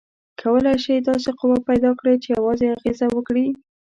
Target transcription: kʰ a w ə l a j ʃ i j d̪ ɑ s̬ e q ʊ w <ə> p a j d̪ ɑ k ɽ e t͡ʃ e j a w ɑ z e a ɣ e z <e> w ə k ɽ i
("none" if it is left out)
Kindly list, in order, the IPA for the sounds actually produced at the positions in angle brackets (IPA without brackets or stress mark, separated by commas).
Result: a, a